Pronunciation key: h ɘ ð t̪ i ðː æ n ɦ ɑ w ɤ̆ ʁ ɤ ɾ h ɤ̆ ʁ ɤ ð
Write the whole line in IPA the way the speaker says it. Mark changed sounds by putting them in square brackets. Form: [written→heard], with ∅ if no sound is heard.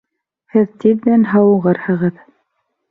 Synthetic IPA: h ɘ ð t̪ i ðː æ n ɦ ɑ w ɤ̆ ʁ ɤ ɾ h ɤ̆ ʁ ɤ ð